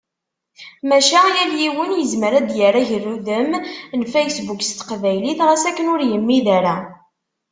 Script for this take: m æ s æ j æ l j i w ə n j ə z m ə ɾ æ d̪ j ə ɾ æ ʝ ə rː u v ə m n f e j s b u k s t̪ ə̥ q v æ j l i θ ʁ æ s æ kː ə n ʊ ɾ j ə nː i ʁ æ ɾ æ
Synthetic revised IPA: m æ ʃ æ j æ l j i w ə n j ə z m ə ɾ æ d̪ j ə ɾ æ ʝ ə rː u ð ə m n f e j s b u k s t̪ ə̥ q v æ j l i θ ʁ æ s æ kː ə n ʊ ɾ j ə mː i ð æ ɾ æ